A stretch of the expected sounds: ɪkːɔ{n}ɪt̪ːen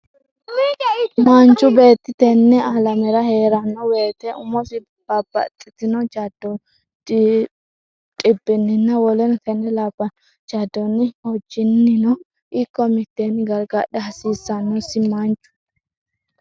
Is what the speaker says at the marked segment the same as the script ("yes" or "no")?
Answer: no